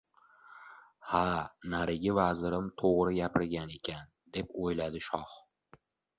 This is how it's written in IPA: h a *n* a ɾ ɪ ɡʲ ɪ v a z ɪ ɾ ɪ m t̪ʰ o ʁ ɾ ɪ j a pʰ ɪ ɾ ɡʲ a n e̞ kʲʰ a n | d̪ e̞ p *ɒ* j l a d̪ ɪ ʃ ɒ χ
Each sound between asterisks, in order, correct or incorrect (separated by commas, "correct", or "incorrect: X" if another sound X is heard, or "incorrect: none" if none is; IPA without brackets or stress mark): correct, incorrect: o